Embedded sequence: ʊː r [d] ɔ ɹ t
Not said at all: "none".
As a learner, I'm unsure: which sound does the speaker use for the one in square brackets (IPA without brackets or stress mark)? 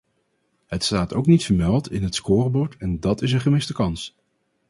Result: b